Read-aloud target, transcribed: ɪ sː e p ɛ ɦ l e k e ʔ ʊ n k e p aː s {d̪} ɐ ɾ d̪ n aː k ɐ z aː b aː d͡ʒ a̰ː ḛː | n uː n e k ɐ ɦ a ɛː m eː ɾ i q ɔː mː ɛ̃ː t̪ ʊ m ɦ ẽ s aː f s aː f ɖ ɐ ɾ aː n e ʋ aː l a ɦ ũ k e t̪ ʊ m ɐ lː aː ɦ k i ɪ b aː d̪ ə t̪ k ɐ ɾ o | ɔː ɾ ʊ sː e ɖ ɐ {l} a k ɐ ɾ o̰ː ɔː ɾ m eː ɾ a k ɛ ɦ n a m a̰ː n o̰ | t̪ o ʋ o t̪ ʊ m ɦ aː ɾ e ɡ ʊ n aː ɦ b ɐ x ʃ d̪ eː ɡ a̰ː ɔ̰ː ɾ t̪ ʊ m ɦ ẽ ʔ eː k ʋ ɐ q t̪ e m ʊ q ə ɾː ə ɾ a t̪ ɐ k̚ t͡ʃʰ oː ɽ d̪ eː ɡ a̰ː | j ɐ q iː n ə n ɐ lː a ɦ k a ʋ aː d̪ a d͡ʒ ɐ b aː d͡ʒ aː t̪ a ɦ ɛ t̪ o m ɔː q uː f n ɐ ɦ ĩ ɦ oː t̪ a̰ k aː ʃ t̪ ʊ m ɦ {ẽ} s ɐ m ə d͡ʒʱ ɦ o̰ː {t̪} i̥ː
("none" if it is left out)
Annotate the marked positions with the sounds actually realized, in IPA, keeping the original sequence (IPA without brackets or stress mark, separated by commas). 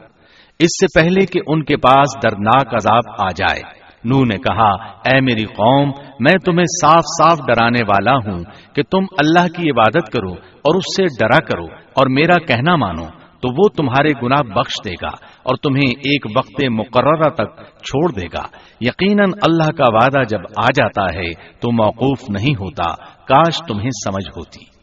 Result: d̪, ɾ, ẽ, t̪